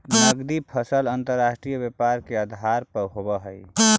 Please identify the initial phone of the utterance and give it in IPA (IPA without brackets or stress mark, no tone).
n